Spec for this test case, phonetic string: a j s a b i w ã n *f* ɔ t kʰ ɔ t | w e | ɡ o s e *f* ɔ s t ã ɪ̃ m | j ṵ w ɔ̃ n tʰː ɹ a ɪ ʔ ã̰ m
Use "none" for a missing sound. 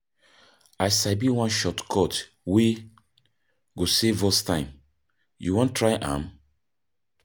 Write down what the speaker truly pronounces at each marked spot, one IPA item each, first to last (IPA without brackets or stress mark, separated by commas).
ʃ, v